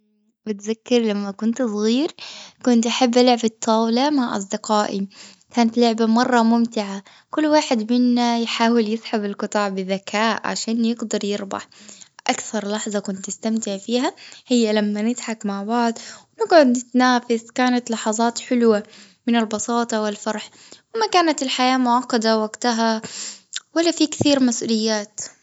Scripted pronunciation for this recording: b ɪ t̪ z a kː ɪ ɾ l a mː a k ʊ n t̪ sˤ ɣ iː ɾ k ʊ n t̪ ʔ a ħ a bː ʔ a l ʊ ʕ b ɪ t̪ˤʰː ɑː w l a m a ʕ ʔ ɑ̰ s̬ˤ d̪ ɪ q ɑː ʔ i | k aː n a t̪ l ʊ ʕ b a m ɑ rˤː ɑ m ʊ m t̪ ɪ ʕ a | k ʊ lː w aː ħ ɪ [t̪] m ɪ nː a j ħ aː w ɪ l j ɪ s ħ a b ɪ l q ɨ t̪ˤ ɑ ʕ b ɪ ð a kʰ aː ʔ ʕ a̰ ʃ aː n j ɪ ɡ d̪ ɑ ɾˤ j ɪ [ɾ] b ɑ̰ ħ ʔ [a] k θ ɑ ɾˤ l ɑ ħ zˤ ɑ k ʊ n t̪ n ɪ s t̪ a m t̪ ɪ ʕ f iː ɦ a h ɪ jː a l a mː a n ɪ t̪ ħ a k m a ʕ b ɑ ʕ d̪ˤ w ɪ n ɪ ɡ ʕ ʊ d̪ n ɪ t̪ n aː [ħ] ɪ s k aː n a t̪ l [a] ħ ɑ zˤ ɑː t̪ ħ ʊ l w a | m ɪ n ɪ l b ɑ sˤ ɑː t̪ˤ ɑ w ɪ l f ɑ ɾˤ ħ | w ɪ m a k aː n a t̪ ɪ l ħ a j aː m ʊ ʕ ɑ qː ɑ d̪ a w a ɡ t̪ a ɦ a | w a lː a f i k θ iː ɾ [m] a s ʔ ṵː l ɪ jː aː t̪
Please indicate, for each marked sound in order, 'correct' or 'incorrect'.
incorrect: d̪, correct, correct, incorrect: f, incorrect: ɑ, correct

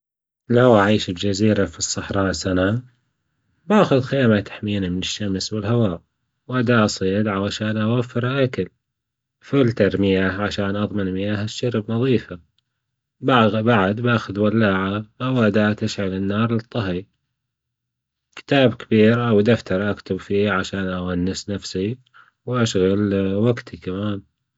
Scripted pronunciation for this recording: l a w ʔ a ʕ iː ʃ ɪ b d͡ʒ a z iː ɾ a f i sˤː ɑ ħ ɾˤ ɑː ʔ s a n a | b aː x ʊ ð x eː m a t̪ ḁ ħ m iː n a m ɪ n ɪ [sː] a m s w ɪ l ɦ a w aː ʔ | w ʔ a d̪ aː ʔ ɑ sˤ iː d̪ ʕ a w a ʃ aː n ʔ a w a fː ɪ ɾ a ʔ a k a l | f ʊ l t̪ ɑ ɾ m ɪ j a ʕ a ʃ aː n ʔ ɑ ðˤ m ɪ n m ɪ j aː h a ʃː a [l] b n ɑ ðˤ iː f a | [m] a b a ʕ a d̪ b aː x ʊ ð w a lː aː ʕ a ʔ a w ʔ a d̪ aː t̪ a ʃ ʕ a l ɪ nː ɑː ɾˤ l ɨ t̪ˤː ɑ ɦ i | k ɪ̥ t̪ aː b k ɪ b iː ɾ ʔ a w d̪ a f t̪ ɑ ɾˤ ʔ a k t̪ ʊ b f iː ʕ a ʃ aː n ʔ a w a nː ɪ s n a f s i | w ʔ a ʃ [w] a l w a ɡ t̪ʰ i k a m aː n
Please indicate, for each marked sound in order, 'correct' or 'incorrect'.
incorrect: ʃː, incorrect: ɾ, incorrect: b, incorrect: ɣ

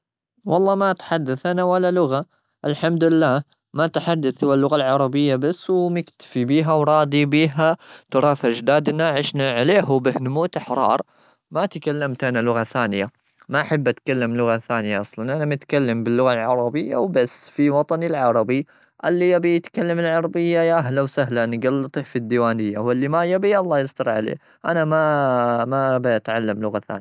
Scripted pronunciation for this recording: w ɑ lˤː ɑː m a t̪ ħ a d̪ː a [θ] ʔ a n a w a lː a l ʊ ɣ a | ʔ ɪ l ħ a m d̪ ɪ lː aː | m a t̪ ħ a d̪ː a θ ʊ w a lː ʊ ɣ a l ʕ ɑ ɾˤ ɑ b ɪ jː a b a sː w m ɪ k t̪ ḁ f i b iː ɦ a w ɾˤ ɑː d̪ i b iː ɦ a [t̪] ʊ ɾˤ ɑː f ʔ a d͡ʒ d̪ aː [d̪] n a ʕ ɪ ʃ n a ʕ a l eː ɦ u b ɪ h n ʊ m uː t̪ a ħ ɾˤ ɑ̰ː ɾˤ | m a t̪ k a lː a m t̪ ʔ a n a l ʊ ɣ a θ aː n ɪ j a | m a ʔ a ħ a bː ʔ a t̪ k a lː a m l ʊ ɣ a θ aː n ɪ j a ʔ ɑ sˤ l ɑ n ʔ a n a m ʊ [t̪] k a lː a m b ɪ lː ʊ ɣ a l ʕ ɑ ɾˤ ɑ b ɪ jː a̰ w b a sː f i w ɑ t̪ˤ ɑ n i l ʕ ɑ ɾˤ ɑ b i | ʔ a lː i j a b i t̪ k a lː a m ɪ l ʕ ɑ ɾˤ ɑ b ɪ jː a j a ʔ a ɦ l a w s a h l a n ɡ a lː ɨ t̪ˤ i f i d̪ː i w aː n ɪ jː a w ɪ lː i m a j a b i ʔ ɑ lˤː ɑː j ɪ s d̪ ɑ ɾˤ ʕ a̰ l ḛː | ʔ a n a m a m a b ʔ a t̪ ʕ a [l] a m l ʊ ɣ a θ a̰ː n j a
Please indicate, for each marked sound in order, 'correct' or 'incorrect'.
correct, correct, correct, correct, incorrect: lː

